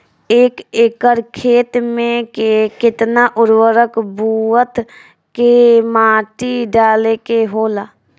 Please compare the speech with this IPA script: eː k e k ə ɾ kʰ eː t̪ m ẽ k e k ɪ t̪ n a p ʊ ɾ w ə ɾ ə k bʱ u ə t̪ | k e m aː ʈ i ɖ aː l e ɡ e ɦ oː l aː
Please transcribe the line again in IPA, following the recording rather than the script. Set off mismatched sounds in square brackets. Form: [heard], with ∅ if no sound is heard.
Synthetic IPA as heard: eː k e k ə ɾ kʰ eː t̪ m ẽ k e k ɪ t̪ n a [ʔ] ʊ ɾ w ə ɾ ə k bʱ u ə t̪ | k e m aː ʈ i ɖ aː l e [k] e ɦ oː l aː